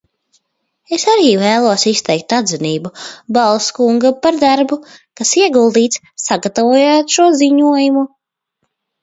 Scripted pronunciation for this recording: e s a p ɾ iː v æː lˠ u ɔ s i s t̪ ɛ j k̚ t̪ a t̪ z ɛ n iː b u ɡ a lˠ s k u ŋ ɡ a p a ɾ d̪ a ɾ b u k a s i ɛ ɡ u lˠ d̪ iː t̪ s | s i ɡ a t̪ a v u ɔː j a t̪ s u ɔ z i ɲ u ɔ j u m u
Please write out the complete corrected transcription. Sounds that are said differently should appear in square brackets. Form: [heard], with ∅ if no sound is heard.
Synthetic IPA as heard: e s a [∅] ɾ iː v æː lˠ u ɔ s i s t̪ ɛ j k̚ t̪ a [d̪] z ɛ n iː b u [b] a lˠ s k u ŋ ɡ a p a ɾ d̪ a ɾ b u k a s i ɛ ɡ u lˠ d̪ iː t̪ s | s [a] ɡ a t̪ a v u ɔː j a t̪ [ʃ] u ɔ z i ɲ u ɔ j u m u